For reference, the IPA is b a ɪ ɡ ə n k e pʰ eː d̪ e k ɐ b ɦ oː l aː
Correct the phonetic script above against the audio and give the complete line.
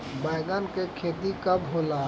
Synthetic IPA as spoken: b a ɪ ɡ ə n k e kʰ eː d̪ i k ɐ b ɦ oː l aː